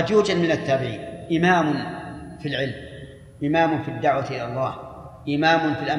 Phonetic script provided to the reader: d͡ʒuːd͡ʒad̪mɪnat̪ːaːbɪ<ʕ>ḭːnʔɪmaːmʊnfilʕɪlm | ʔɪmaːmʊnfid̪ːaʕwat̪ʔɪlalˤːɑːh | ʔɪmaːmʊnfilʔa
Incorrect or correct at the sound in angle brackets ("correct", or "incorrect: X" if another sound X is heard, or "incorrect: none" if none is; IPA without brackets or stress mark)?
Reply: correct